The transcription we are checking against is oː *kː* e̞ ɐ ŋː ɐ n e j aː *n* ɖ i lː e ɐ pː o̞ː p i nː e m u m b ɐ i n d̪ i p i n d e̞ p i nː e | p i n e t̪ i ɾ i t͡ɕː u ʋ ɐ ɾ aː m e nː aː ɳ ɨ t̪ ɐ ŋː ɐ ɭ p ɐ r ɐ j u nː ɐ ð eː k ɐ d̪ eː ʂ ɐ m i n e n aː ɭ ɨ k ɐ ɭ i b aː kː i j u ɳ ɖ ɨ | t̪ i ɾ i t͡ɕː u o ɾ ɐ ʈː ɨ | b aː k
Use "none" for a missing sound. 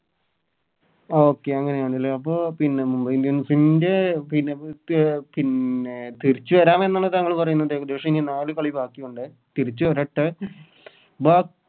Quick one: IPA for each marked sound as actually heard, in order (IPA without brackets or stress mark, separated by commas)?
kː, ɳ